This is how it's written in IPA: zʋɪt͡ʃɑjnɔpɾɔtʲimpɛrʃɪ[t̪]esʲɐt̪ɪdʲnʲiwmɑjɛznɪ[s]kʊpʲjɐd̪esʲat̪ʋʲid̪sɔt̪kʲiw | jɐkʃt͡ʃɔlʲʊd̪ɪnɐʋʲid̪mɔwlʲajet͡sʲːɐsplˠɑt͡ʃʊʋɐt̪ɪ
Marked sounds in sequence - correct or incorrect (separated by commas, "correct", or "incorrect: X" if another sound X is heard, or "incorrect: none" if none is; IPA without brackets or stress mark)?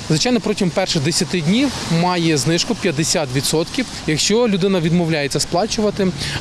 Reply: incorrect: d̪, incorrect: ʃ